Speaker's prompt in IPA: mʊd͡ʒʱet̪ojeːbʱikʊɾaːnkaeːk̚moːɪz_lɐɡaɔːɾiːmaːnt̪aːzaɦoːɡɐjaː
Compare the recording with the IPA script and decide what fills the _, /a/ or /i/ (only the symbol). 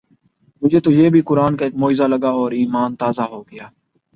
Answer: a